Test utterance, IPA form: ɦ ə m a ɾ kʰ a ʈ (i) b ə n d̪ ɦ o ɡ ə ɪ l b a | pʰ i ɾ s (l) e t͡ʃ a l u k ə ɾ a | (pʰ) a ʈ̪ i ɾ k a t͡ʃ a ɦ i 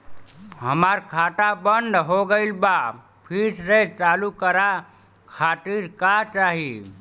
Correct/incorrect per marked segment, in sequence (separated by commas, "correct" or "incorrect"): incorrect, incorrect, incorrect